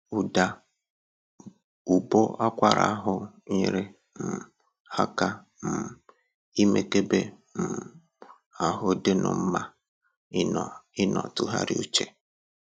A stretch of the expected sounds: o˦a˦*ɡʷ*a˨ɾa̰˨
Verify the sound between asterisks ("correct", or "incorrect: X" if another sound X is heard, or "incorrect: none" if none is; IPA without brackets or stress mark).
incorrect: kʷ